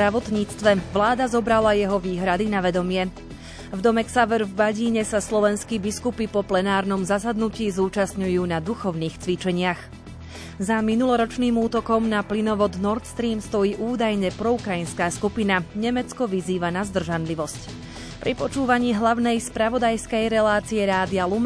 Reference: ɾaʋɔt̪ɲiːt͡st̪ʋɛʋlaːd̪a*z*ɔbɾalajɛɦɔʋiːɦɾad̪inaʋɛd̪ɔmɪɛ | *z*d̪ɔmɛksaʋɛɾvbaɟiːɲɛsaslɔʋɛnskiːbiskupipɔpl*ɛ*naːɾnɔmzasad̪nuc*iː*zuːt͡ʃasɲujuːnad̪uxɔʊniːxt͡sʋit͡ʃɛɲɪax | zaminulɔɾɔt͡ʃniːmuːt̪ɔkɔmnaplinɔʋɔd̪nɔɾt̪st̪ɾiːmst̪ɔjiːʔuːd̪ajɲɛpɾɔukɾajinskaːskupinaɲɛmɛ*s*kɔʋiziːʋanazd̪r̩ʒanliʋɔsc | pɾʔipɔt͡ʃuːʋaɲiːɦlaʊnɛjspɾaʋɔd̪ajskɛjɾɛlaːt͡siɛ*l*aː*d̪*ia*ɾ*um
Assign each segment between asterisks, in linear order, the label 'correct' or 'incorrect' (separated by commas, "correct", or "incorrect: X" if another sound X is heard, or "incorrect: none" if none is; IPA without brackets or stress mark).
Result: correct, incorrect: v, correct, correct, incorrect: t͡s, incorrect: ɾ, correct, incorrect: l